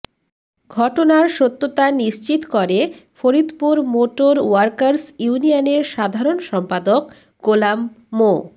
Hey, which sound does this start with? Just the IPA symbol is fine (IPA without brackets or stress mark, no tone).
ɡʱ